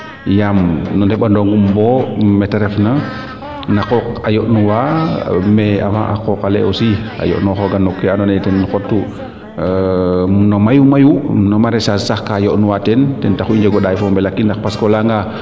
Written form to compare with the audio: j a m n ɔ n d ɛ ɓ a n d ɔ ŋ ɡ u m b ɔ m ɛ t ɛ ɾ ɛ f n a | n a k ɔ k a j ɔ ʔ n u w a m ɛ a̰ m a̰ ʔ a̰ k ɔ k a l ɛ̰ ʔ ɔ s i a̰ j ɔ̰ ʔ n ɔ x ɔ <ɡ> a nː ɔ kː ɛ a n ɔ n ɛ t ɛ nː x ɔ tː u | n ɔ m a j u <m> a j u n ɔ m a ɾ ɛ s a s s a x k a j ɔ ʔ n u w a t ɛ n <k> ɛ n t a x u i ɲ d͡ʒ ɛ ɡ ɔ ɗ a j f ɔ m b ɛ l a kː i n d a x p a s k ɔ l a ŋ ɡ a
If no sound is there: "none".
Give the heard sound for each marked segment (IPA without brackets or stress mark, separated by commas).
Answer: ɡ, m, t